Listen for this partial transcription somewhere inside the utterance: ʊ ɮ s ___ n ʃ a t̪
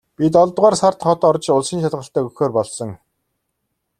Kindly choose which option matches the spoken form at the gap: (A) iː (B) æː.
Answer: A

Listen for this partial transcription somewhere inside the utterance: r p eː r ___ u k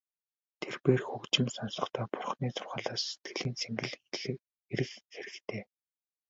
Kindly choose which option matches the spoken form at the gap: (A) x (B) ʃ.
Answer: A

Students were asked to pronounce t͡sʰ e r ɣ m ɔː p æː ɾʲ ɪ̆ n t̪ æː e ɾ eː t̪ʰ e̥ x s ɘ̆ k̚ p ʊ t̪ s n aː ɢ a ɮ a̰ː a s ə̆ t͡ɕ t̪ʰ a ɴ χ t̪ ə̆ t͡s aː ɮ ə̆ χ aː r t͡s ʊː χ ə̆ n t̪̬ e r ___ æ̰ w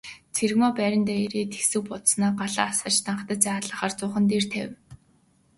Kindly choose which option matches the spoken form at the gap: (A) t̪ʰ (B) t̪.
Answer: A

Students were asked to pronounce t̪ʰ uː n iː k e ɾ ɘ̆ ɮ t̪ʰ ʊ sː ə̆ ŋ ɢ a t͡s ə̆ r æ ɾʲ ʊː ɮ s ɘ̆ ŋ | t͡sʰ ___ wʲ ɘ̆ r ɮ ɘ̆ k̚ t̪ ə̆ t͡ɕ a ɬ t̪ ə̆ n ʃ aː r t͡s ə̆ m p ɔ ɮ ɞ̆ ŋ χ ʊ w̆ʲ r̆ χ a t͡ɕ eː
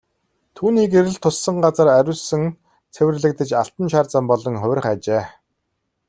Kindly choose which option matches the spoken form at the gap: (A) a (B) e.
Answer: B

